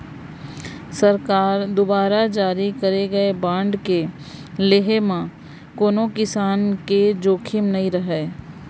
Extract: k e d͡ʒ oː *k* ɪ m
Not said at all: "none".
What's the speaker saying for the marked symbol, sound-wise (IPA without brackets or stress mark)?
kʰ